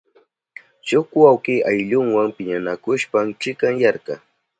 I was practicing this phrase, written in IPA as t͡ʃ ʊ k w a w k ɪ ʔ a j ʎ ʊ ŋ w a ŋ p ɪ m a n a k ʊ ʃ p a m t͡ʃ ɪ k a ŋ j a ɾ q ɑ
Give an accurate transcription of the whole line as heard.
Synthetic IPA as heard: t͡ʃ ʊ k w a w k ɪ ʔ a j ʎ ʊ ŋ w a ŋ p ɪ ɲ a n a k ʊ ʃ p a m t͡ʃ ɪ k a ŋ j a ɾ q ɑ